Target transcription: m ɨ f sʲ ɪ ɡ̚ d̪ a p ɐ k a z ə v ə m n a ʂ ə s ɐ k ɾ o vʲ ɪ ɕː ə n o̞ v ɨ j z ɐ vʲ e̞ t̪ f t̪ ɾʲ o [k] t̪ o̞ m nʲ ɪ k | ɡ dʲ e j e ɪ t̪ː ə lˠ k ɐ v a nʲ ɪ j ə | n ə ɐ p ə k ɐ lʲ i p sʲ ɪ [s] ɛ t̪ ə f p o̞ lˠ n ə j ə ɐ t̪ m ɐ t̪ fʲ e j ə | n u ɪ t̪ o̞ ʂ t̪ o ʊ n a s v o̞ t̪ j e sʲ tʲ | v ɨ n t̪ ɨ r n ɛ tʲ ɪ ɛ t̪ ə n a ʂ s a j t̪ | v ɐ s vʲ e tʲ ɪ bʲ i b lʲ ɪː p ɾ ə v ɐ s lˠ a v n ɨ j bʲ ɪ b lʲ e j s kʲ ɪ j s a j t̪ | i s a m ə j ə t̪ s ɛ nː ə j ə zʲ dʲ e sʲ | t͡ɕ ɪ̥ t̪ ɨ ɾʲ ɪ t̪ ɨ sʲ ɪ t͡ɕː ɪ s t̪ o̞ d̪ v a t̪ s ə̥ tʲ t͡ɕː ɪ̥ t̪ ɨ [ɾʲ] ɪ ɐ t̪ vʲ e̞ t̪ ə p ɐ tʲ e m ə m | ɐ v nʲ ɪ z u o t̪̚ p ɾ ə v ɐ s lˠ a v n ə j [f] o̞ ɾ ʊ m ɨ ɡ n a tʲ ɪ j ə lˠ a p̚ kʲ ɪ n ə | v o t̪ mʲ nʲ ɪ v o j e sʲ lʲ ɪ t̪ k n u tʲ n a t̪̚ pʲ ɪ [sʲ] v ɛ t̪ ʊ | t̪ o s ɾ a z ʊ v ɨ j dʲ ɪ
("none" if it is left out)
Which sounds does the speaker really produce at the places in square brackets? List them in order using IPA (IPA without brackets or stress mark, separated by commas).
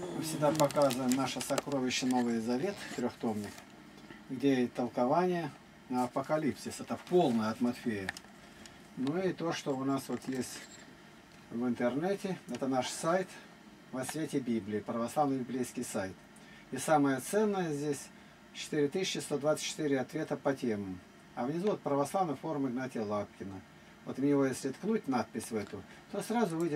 x, s, ɾʲ, f, sʲ